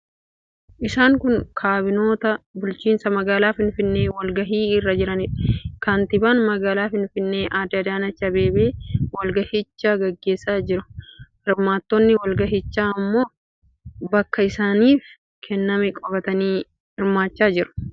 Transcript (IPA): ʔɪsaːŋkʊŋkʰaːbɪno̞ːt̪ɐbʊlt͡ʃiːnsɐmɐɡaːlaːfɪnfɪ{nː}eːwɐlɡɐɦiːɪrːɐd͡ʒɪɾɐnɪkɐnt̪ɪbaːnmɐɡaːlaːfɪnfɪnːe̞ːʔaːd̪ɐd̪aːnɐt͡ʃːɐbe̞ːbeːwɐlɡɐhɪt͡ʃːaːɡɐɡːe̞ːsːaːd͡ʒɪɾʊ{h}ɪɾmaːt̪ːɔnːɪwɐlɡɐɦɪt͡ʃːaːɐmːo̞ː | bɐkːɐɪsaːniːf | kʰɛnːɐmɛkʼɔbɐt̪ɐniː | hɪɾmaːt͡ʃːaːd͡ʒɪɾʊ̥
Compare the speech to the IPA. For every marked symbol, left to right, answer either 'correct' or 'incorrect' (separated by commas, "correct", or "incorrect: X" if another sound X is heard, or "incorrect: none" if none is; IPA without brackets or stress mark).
correct, correct